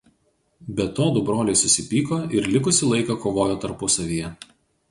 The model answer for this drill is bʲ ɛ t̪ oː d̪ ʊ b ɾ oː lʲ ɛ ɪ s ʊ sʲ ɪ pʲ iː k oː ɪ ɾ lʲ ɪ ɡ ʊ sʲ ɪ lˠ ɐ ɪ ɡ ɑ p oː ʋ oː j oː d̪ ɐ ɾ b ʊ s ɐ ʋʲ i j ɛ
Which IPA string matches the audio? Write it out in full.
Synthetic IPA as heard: bʲ ɛ t̪ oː d̪ ʊ b ɾ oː lʲ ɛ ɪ s ʊ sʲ ɪ pʲ iː k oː ɪ ɾ lʲ ɪ k ʊ sʲ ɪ lˠ ɐ ɪ k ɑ k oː ʋ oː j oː t̪ ɐ ɾ p ʊ s ɐ ʋʲ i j ɛ

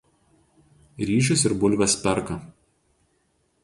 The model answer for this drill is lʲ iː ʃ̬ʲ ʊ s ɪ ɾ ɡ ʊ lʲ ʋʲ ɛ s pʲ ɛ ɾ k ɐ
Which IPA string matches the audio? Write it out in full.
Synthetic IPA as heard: ɾʲ iː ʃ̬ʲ ʊ s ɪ ɾ b ʊ lʲ ʋʲ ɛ s pʲ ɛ ɾ k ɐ

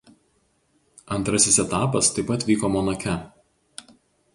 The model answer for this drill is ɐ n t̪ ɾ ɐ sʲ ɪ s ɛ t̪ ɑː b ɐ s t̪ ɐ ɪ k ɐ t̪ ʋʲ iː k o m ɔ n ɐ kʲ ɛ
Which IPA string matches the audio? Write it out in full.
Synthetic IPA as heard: ɐ n t̪ ɾ ɐ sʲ ɪ s ɛ t̪ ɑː p ɐ s t̪ ɐ ɪ p ɐ t̪ ʋʲ iː k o m ɔ n ɐ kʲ ɛ

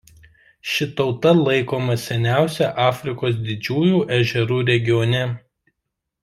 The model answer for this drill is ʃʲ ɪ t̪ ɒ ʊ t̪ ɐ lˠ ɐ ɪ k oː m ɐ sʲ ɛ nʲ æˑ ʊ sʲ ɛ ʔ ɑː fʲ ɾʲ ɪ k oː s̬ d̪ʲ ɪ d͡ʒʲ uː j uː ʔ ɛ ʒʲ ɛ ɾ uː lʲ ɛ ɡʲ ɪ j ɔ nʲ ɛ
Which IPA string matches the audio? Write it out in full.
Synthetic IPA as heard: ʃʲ ɪ t̪ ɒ ʊ t̪ ɐ lˠ ɐ ɪ k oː m ɐ sʲ ɛ nʲ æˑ ʊ sʲ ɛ ʔ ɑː fʲ ɾʲ ɪ k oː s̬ d̪ʲ ɪ d͡ʒʲ uː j uː ʔ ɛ ʒʲ ɛ ɾ uː ɾʲ ɛ ɡʲ ɪ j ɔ nʲ ɛ

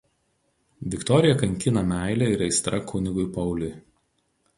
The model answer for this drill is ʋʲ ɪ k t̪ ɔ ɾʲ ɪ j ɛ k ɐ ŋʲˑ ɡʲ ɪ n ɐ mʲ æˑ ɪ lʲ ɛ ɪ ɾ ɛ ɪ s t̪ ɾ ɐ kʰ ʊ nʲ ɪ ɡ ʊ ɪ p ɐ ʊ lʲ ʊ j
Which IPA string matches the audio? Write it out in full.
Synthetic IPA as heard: ʋʲ ɪ k t̪ ɔ ɾʲ ɪ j ɛ k ɐ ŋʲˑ kʲ ɪ n ɐ mʲ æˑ ɪ lʲ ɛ ɪ ɾ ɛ ɪ s t̪ ɾ ɐ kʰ ʊ nʲ ɪ ɡ ʊ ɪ p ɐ ʊ lʲ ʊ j

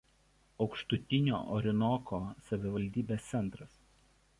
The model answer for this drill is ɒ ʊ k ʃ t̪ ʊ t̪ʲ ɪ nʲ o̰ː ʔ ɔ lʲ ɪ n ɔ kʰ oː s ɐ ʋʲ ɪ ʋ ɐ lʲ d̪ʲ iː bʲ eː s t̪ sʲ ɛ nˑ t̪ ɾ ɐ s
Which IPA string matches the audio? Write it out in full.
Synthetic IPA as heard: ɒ ʊ k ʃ t̪ ʊ t̪ʲ ɪ nʲ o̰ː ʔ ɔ ɾʲ ɪ n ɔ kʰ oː s ɐ ʋʲ ɪ ʋ ɐ lʲ d̪ʲ iː bʲ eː s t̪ sʲ ɛ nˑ t̪ ɾ ɐ s

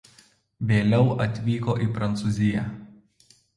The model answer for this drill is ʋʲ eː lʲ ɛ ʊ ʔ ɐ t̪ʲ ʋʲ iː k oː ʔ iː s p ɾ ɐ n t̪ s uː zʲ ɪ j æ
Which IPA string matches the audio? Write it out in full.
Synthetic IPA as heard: ʋʲ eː lʲ ɛ ʊ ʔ ɐ t̪ʲ ʋʲ iː k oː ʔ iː p ɾ ɐ n t̪ s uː zʲ ɪ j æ

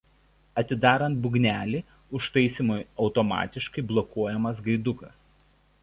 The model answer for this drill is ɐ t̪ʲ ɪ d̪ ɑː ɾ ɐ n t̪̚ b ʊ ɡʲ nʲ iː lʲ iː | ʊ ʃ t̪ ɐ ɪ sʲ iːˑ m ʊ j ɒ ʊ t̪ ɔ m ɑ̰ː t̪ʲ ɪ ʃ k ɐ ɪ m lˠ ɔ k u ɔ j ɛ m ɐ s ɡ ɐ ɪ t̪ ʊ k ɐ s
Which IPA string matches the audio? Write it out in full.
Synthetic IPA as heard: ɐ t̪ʲ ɪ d̪ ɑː ɾ ɐ n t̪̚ b ʊ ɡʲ nʲ æː lʲ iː | ʊ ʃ t̪ ɐ ɪ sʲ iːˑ m ʊ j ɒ ʊ t̪ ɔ m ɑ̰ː t̪ʲ ɪ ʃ k ɐ ɪ b lˠ ɔ k u ɔ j ɛ m ɐ s ɡ ɐ ɪ d̪ ʊ k ɐ s

